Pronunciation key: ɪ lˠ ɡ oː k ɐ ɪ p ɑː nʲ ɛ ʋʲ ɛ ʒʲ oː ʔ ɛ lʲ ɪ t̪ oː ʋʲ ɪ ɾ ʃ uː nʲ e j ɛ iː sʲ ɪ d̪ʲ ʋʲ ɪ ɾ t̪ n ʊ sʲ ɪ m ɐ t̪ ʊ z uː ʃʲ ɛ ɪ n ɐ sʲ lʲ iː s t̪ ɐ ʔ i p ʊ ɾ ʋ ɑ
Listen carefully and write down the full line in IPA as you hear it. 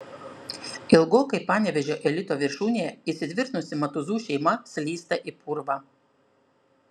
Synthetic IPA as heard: ɪ lˠ ɡ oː k ɐ ɪ p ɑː nʲ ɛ ʋʲ ɛ ʒʲ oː ʔ ɛ lʲ ɪ t̪ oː ʋʲ ɪ ɾ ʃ uː nʲ e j ɛ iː sʲ ɪ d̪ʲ ʋʲ ɪ ɾ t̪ n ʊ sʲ ɪ m ɐ t̪ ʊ z uː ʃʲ ɛ ɪ m ɐ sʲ lʲ iː s t̪ ɐ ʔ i p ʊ ɾ ʋ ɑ

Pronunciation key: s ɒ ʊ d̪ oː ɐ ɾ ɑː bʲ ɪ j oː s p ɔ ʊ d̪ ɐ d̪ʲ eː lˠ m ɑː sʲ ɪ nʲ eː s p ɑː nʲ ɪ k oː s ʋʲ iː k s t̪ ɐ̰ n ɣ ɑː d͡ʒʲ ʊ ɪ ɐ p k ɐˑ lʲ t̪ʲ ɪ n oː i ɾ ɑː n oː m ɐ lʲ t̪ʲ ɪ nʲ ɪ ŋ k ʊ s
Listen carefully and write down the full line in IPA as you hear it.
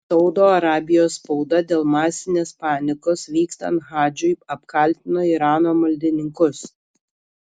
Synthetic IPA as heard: s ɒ ʊ d̪ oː ɐ ɾ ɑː bʲ ɪ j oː s p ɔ ʊ d̪ ɐ d̪ʲ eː lˠ m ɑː sʲ ɪ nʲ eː s p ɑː nʲ ɪ k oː s ʋʲ iː k s t̪ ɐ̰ n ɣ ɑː d͡ʒʲ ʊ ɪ ɐ p k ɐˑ lʲ t̪ʲ ɪ n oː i ɾ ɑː n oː m ɐ lʲ d̪ʲ ɪ nʲ ɪ ŋ k ʊ s

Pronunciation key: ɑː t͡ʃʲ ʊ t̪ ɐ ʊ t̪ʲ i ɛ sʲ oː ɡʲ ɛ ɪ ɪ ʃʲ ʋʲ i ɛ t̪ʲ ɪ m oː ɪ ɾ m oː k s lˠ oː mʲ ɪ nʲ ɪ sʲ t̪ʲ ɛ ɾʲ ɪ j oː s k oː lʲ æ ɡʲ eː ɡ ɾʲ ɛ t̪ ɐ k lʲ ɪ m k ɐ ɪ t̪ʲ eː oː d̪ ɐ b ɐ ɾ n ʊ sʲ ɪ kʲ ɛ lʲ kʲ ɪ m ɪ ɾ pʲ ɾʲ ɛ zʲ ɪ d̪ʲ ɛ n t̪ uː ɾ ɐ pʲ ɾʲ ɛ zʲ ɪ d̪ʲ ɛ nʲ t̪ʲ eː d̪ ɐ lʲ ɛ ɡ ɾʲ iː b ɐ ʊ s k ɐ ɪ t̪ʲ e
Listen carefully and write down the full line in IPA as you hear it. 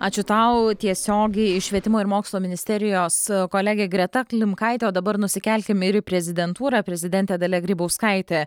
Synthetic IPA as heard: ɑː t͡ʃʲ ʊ t̪ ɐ ʊ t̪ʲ i ɛ sʲ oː ɡʲ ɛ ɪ ɪ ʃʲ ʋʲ i ɛ t̪ʲ ɪ m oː ɪ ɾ m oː k s lˠ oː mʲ ɪ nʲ ɪ sʲ t̪ʲ ɛ ɾʲ ɪ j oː s k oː lʲ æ ɡʲ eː ɡ ɾʲ ɛ t̪ ɐ k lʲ ɪ m k ɐ ɪ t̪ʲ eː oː d̪ ɐ b ɐ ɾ n ʊ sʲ ɪ kʲ ɛ lʲ kʲ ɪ m ɪ ɾ pʲ ɾʲ ɛ zʲ ɪ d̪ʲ ɛ n t̪ uː ɾ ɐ pʲ ɾʲ ɛ zʲ ɪ d̪ʲ ɛ nʲ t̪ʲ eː d̪ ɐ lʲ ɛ ɡ ɾʲ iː b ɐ ʊ s k ɐ ɪ t̪ʲ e

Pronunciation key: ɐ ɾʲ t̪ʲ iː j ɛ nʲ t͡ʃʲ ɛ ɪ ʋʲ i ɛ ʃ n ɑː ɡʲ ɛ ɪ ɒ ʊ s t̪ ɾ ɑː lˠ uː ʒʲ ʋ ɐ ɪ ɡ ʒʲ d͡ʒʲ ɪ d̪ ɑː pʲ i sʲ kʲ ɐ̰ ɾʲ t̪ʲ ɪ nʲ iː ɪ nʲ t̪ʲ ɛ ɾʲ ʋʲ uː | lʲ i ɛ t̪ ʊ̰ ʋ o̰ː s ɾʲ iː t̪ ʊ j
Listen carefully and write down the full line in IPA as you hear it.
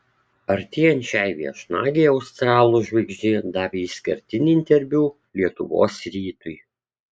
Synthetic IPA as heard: ɐ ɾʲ t̪ʲ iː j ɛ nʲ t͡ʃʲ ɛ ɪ ʋʲ i ɛ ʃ n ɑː ɡʲ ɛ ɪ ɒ ʊ s t̪ ɾ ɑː lˠ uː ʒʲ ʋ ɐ ɪ ɡ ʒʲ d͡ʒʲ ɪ d̪ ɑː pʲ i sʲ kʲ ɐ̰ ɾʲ t̪ʲ ɪ nʲ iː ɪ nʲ t̪ʲ ɛ ɾʲ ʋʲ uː | lʲ i ɛ t̪ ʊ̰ ʋ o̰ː s ɾʲ iː t̪ ʊ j

